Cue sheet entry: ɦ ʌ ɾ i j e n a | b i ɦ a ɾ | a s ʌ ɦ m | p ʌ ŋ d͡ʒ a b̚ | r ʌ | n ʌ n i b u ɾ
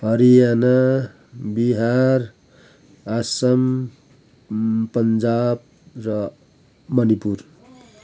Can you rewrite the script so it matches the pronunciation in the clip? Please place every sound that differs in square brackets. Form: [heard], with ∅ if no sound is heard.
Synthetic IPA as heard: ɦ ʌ ɾ i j [a] n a | b i ɦ a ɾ | a s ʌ [∅] m | p ʌ [n] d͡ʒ a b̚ | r ʌ | [m] ʌ n i [p] u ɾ